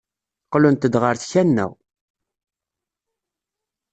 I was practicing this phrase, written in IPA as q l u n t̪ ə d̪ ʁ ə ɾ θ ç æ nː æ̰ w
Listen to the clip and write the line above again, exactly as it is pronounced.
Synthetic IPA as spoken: q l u n t̪ ə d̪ ʁ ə ɾ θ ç æ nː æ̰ w